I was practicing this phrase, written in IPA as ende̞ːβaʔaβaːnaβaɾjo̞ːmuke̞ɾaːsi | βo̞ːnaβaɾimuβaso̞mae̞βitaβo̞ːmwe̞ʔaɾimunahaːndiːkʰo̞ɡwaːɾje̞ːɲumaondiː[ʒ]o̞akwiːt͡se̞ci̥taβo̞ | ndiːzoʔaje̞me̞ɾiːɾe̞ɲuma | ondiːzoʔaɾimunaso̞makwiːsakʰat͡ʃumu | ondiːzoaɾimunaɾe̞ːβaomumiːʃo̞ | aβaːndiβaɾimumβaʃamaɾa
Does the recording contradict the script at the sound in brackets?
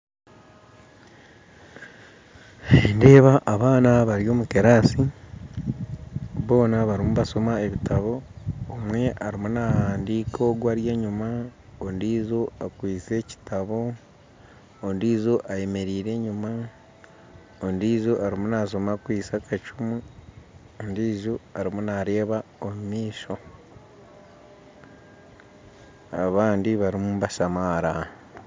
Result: yes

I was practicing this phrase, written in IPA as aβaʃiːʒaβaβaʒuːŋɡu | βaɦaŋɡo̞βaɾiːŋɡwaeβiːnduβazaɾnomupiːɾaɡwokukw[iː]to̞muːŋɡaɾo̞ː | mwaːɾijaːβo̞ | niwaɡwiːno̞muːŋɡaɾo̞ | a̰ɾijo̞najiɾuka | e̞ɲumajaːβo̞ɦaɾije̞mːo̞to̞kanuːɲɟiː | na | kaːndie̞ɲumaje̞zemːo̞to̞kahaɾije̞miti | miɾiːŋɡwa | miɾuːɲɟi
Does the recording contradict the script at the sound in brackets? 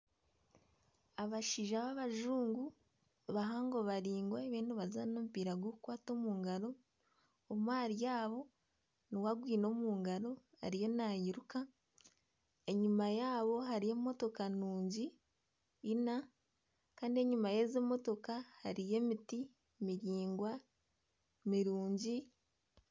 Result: yes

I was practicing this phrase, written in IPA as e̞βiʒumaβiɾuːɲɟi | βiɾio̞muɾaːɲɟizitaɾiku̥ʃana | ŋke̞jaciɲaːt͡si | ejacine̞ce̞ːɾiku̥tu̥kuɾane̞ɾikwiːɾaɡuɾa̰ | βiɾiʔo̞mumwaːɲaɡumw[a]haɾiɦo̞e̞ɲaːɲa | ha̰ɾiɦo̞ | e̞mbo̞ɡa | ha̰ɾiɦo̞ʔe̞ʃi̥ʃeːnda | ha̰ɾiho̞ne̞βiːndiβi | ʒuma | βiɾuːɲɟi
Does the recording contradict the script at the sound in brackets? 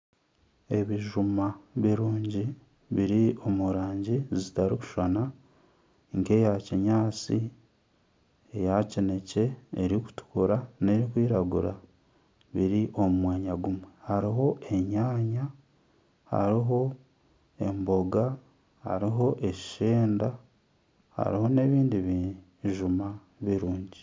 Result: yes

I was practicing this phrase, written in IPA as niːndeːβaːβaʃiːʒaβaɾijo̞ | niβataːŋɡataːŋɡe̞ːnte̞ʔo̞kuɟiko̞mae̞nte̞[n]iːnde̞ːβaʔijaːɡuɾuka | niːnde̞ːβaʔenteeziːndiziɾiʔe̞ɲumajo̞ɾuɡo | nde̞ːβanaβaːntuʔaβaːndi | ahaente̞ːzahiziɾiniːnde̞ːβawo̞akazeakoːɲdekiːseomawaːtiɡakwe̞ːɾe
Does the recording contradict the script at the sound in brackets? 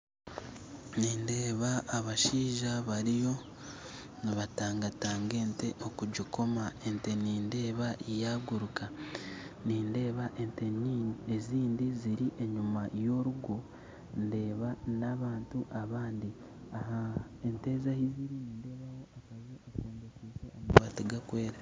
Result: no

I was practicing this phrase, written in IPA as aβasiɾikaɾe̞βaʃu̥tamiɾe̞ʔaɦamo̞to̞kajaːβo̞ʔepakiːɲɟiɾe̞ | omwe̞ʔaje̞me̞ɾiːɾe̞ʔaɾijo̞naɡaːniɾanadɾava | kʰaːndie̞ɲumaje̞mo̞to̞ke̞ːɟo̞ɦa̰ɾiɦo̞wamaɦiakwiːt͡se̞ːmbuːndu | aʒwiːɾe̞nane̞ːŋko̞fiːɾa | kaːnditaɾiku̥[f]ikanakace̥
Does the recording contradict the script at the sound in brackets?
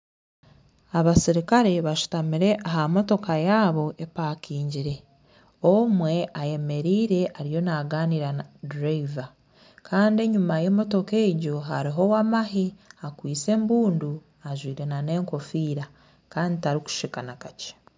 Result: yes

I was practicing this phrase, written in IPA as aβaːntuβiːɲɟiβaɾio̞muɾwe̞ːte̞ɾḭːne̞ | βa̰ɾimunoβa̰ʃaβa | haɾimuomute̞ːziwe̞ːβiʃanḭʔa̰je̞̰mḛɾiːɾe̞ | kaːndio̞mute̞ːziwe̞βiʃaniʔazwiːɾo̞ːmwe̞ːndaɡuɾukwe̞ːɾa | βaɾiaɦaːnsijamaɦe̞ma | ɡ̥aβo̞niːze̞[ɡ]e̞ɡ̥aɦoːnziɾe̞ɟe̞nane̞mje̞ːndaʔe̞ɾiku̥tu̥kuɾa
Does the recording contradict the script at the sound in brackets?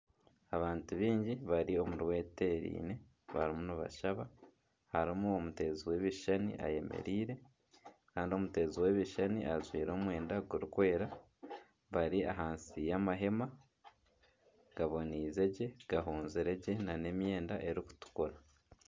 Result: yes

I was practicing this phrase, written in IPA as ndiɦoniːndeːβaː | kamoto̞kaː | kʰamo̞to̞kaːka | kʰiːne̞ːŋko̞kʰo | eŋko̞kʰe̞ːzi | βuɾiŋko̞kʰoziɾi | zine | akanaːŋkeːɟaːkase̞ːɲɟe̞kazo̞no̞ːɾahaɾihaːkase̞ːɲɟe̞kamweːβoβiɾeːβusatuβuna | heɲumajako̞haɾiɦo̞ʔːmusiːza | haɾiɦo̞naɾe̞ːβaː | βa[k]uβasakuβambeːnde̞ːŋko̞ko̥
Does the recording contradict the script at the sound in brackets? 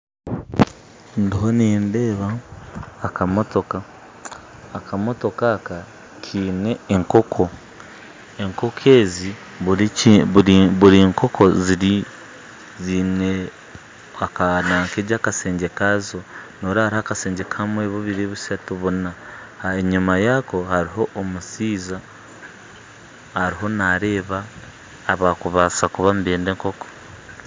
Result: no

